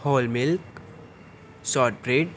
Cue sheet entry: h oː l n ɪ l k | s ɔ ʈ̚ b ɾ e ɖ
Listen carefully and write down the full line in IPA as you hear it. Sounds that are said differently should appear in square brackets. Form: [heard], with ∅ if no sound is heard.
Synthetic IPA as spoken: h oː l [m] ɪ l k | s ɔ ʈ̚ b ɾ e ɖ